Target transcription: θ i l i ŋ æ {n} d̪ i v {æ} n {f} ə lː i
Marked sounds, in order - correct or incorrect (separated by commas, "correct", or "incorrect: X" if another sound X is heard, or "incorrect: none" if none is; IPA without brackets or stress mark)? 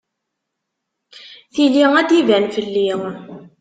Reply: incorrect: none, correct, correct